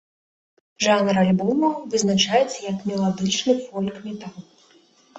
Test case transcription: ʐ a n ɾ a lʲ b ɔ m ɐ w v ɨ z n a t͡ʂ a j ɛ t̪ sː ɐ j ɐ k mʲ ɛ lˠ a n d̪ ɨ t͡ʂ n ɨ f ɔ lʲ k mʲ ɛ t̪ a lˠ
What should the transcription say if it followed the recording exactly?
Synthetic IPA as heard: ʐ a n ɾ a lʲ b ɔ m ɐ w v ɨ z n a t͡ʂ a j ɛ t̪ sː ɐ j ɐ k mʲ ɛ lˠ a d̪ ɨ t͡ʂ n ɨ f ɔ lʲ k mʲ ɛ t̪ a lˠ